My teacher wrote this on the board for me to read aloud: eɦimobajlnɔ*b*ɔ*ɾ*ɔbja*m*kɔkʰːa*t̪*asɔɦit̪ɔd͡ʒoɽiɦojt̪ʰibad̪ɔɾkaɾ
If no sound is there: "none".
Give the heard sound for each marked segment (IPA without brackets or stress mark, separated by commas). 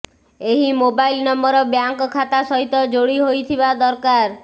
m, ɾ, ŋ, t̪